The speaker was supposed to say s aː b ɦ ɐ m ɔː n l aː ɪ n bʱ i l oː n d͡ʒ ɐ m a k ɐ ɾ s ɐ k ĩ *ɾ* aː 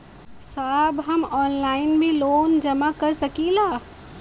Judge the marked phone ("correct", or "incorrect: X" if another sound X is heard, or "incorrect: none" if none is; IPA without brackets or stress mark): incorrect: l